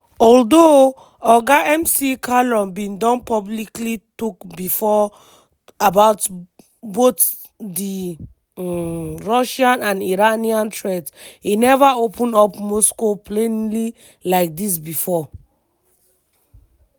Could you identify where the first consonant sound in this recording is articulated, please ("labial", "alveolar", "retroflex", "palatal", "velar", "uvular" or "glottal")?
alveolar